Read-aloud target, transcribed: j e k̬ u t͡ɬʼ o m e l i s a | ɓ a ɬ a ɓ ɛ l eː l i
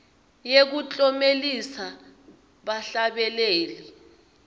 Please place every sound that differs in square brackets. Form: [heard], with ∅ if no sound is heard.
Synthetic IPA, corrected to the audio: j e k̬ u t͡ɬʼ [ɔ] m e l i s a | ɓ a ɬ a ɓ ɛ l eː l i

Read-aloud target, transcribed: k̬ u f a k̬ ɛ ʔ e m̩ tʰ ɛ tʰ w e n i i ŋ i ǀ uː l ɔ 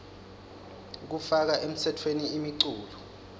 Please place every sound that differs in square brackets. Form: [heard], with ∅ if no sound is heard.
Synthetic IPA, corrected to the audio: k̬ u f a k̬ [a] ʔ e m̩ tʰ ɛ tʰ w e n i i [m] i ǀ uː l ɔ

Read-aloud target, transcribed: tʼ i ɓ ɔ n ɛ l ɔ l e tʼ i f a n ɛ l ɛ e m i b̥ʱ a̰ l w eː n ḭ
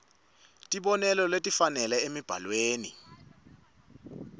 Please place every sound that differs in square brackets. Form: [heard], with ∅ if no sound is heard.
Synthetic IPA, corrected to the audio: tʼ i ɓ ɔ n ɛ l ɔ l e tʼ i f a n ɛ l ɛ e m i b̥ʱ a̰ l w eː n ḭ

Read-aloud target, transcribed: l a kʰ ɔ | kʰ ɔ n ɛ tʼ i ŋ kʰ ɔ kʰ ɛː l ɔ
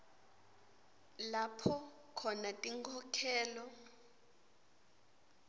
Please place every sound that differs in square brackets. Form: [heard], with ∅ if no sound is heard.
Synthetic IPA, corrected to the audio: l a [pʰ] ɔ | kʰ ɔ n [a] tʼ i ŋ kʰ ɔ kʰ ɛː l ɔ

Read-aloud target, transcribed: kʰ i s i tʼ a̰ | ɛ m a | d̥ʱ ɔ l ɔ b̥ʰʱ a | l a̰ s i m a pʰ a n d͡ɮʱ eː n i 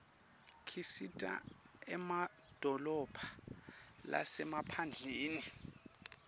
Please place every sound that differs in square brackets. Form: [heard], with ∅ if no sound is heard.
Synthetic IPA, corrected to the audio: kʰ i s i tʼ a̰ | ɛ m a | d̥ʱ ɔ l ɔ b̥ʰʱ a | l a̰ s [ɛ] m a pʰ a n d͡ɮʱ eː n i

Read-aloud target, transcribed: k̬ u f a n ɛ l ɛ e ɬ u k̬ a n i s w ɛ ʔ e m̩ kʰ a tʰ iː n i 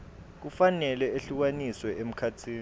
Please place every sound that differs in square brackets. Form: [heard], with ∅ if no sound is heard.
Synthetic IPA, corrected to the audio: k̬ u f a n ɛ l ɛ e ɬ u k̬ a n i s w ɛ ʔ e m̩ kʰ a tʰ iː n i

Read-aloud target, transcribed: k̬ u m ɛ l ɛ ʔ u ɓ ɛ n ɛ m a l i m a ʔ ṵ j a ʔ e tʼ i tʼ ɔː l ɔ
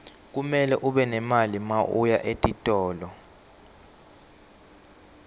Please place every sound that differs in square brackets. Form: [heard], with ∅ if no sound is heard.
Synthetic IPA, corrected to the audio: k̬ u m ɛ l ɛ ʔ u ɓ ɛ n ɛ m a l i m a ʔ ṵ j a ʔ e tʼ i tʼ ɔː l ɔ

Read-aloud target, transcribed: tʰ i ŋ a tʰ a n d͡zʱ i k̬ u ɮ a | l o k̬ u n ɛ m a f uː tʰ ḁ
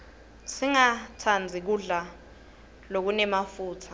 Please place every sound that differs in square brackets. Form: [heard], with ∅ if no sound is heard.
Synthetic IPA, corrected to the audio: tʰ i ŋ a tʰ a n d͡zʱ i k̬ u ɮ a | l o k̬ u n ɛ m a f uː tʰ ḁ

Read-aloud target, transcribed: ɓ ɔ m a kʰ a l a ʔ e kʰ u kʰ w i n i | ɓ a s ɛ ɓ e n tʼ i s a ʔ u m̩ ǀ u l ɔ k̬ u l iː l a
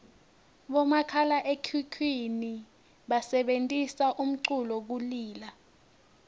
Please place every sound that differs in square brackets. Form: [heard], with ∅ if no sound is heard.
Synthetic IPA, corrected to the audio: ɓ ɔ m a kʰ a l a ʔ e kʰ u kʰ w i n i | ɓ a s ɛ ɓ e n tʼ i s a ʔ u m̩ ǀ u l ɔ k̬ u l iː l a

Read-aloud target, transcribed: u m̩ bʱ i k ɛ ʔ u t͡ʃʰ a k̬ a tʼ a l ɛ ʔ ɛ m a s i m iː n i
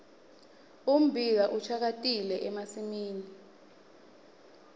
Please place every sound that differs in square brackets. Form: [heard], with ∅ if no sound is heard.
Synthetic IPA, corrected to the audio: u m̩ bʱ i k [a] ʔ u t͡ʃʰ a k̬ a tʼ [i] l ɛ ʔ ɛ m a s i m iː n i

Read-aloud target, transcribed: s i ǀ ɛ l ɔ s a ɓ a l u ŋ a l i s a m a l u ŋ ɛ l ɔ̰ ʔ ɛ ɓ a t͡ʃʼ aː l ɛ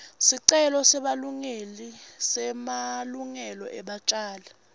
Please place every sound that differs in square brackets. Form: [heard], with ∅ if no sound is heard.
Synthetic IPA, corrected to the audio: s i ǀ ɛ l ɔ s [ɛ] ɓ a l u ŋ [e] l i s [ɛ] m a l u ŋ ɛ l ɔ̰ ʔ ɛ ɓ a t͡ʃʼ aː l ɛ

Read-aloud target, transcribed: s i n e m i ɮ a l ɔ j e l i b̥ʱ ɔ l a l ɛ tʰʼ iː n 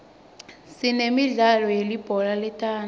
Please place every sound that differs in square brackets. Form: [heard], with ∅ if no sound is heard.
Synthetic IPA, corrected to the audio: s i n e m i ɮ a l ɔ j e l i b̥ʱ ɔ l a l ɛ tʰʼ [aː] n

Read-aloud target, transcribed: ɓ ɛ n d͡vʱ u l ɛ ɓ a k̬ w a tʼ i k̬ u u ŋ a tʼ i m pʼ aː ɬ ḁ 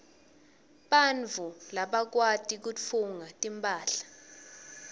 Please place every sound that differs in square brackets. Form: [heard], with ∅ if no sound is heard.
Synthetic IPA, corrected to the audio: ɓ [a] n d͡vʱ u l [a] ɓ a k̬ w a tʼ i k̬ u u ŋ a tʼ i m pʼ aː ɬ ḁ

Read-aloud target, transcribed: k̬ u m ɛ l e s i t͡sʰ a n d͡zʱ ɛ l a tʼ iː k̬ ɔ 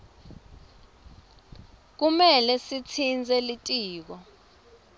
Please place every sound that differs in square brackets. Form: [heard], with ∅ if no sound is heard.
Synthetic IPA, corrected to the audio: k̬ u m ɛ l [ɛ] s i t͡sʰ [i] n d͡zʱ ɛ l [i] tʼ iː k̬ ɔ

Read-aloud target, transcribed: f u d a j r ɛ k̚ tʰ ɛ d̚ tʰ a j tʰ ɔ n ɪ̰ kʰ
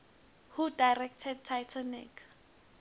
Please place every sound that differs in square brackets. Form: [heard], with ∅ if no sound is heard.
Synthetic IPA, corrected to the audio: [h] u d a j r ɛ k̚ tʰ ɛ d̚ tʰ a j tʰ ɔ n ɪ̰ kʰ

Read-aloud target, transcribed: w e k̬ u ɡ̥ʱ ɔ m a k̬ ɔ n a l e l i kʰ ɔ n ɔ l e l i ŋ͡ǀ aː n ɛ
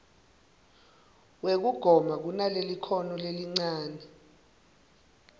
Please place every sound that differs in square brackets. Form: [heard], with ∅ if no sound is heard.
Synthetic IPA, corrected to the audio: w e k̬ u ɡ̥ʱ ɔ m a k̬ [u] n a l e l i kʰ ɔ n ɔ l e l i ŋ͡ǀ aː n ɛ

